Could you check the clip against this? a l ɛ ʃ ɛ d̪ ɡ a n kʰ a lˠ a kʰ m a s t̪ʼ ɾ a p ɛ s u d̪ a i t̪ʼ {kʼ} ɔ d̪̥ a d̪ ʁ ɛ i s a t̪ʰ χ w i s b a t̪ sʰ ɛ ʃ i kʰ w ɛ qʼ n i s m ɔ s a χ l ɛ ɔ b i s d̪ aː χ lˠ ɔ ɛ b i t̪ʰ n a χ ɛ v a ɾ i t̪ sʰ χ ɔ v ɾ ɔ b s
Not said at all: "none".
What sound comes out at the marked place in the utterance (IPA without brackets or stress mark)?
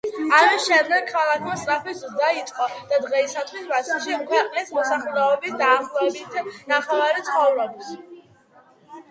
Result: qʼ